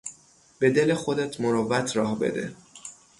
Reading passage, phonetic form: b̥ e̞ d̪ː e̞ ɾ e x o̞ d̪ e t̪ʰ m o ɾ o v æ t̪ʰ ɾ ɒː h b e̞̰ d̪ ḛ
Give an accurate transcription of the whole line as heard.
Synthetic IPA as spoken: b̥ e̞ d̪ e̞ l e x o̞ d̪ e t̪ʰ m o ɾ o v æ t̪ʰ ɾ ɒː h b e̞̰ d̪ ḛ